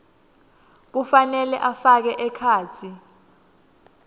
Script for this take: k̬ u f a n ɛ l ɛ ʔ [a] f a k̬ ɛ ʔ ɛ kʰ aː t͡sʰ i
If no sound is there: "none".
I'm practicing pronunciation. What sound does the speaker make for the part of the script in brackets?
a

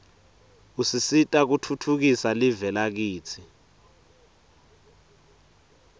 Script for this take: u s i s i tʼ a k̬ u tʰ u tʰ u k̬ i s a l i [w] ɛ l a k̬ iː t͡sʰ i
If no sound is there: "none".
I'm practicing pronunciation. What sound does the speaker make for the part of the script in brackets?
v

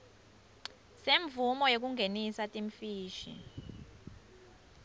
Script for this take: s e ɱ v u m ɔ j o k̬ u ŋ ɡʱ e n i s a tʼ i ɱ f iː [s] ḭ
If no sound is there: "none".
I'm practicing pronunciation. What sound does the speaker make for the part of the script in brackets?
ʃ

